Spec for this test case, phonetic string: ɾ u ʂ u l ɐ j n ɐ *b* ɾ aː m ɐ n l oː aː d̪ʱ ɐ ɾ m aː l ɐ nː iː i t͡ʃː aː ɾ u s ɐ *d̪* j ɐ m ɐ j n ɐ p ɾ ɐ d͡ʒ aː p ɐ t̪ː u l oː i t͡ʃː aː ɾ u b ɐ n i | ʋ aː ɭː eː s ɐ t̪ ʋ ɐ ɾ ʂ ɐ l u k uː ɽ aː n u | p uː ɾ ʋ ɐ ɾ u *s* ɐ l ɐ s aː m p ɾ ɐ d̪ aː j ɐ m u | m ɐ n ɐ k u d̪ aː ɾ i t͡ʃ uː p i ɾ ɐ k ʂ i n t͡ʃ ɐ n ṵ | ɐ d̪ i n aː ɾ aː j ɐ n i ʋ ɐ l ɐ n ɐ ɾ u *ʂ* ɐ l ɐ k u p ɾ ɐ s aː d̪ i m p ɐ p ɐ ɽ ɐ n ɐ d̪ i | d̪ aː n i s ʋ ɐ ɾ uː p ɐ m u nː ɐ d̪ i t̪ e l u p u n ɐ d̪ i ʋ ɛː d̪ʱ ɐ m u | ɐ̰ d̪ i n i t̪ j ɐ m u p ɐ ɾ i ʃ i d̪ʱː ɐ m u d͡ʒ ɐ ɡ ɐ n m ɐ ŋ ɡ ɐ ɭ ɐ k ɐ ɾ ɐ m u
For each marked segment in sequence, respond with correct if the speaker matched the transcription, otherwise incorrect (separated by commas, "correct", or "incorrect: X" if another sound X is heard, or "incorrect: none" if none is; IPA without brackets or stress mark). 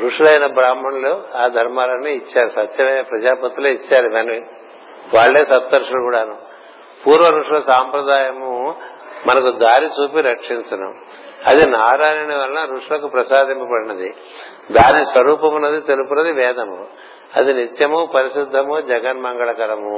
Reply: correct, incorrect: t̪, incorrect: ʂ, correct